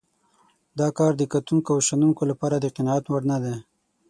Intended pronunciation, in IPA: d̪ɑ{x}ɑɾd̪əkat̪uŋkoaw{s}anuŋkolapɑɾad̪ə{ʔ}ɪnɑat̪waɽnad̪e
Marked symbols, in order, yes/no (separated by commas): no, no, no